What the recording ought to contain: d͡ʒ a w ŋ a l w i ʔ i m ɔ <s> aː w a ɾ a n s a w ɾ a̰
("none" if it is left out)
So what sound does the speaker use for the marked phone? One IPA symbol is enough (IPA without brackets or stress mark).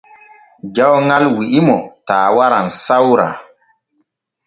t